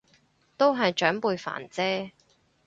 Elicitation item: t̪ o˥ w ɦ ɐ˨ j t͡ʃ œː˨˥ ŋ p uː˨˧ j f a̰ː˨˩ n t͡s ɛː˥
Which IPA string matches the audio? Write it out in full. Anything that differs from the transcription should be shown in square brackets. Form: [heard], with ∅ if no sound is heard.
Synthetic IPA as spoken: t̪ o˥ w ɦ ɐ˨ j t͡ʃ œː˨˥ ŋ p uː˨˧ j f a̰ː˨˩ n t͡s ɛː˥